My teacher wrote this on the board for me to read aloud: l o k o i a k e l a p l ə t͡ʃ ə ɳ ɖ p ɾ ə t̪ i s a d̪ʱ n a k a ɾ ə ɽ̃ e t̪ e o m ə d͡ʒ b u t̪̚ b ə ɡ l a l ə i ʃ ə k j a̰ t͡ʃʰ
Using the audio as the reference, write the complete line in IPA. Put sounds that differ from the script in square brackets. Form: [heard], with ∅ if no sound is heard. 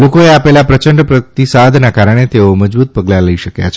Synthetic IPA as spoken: l o k o [e] a [p] e l a p [ɾ] ə t͡ʃ ə ɳ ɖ p ɾ ə t̪ i s a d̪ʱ n a k a ɾ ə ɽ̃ e t̪ e o m ə d͡ʒ b u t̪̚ [p] ə ɡ l a l ə i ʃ ə k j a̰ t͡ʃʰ